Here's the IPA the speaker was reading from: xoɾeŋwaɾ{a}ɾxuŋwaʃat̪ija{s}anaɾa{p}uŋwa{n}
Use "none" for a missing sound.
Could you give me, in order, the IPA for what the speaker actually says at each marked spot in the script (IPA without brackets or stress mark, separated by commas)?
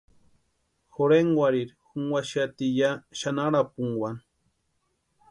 i, ʃ, p, n